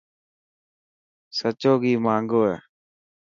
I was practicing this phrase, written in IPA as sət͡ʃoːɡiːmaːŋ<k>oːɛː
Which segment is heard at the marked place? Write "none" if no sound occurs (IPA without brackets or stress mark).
ɡ